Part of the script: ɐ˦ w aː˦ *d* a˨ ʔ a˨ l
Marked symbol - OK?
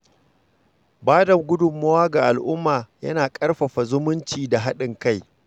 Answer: no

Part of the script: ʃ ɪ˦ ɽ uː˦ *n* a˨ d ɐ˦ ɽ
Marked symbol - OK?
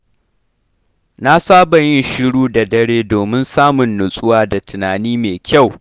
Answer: no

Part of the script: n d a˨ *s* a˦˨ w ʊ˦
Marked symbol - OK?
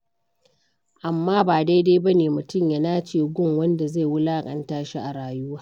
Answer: no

